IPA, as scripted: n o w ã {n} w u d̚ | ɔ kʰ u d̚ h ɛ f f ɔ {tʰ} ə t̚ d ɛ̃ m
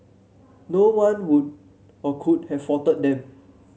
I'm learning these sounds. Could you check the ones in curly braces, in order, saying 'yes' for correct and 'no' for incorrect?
yes, no

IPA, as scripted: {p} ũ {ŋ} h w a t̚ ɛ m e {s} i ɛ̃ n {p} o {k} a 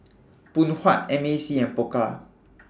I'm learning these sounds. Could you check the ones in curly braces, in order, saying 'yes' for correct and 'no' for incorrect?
yes, no, yes, yes, yes

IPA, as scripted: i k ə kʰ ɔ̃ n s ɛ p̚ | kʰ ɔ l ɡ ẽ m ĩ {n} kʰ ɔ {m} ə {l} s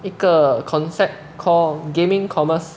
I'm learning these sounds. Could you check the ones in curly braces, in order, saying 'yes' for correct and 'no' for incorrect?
no, yes, no

